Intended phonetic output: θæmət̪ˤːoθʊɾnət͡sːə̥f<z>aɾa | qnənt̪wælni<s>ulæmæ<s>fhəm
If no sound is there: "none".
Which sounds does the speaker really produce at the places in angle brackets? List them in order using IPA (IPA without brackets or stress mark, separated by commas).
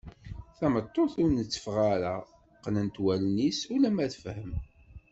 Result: ʁ, s, θ